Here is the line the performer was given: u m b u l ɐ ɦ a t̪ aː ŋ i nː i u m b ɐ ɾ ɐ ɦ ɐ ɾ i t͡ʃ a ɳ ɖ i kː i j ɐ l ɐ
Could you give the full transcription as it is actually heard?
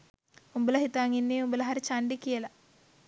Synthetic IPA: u m b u l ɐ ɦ i t̪ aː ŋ i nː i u m b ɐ l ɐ ɦ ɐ ɾ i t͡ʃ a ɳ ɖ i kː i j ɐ l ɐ

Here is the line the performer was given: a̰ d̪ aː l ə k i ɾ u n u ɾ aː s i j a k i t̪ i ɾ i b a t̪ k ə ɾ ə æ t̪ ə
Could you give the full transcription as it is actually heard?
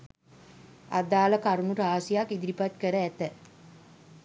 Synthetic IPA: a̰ d̪ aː l ə k a ɾ u n u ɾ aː s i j a k i d̪ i ɾ i p a t̪ k ə ɾ ə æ t̪ ə

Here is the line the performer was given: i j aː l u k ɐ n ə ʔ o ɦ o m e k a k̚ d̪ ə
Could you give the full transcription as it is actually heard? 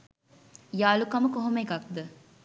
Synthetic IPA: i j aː l u k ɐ m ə k o ɦ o m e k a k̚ d̪ ə

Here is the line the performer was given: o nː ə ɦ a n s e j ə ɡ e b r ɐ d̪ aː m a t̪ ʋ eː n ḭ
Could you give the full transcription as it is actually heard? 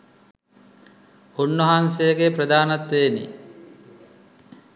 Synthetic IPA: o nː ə ɦ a n s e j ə ɡ e p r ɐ d̪ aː n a t̪ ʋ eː n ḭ

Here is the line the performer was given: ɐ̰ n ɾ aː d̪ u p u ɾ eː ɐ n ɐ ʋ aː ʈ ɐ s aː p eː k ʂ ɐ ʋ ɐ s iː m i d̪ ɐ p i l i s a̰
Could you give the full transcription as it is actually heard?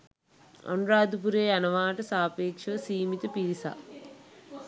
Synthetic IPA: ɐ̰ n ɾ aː d̪ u p u ɾ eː ɐ n ɐ ʋ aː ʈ ɐ s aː p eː k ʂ ɐ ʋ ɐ s iː m i t̪ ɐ p i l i s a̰

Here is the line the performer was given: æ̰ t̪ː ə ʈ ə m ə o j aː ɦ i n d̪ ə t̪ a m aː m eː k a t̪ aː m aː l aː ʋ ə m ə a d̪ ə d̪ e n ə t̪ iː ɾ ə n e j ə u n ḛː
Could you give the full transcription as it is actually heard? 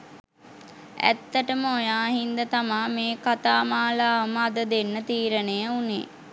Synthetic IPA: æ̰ t̪ː ə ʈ ə m ə o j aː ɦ i n d̪ ə t̪ a m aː m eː k a t̪ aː m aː l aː ʋ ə m ə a d̪ ə d̪ e nː ə t̪ iː ɾ ə n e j ə u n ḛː

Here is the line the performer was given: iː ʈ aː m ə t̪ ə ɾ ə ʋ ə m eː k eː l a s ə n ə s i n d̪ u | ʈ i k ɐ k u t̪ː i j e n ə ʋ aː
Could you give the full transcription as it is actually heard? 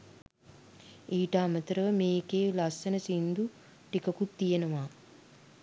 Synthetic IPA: iː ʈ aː m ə t̪ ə ɾ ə ʋ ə m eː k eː l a s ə n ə s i n d̪ u | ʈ i k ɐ k u t̪ː i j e n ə ʋ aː

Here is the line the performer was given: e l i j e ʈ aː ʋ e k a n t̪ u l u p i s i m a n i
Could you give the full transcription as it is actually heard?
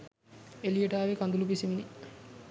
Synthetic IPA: e l i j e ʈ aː ʋ e k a n d̪ u l u p i s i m i n i

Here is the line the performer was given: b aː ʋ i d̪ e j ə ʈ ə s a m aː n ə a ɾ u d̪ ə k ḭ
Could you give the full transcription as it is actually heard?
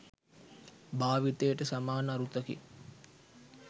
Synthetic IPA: b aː ʋ i t̪ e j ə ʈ ə s a m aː n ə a ɾ u t̪ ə k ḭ

